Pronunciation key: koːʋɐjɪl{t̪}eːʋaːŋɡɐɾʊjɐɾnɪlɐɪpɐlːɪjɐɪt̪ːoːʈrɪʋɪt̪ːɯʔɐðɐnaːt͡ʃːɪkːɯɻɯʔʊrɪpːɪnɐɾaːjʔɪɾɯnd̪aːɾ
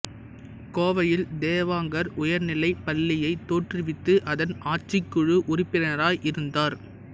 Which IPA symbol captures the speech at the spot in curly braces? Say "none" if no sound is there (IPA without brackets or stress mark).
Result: d̪